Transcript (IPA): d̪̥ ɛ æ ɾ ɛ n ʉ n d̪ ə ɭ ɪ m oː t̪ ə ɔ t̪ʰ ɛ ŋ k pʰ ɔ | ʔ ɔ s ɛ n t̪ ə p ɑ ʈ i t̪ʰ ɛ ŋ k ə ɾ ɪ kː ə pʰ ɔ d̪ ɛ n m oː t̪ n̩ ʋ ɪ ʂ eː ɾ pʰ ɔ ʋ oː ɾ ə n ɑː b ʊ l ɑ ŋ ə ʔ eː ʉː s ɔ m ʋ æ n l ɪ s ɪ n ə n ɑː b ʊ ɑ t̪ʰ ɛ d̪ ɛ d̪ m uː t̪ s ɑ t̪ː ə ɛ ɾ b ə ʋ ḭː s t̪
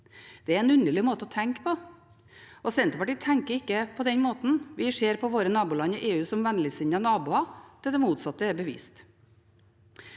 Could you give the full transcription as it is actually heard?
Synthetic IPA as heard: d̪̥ ɛ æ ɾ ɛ n ʉ n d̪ ə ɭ ɪ m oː t̪ ə ɔ t̪ʰ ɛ ŋ k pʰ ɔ | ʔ ɔ s ɛ n t̪ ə p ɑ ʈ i t̪ʰ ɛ ŋ k ə ɾ ɪ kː ə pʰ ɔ d̪ ɛ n m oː t̪ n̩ ʋ ɪ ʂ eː ɾ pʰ ɔ ʋ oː ɾ ə n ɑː b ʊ l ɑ n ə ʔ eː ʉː s ɔ m ʋ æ n l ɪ s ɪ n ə n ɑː b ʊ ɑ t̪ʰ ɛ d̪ ɛ m uː t̪ s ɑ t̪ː ə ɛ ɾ b ə ʋ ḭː s t̪